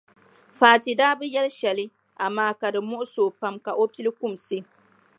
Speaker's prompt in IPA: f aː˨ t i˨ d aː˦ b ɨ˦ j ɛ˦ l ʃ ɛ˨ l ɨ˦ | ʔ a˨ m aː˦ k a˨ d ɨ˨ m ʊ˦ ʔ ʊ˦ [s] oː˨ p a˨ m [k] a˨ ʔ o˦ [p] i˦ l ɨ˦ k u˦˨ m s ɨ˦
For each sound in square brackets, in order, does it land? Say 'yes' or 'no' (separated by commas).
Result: yes, yes, yes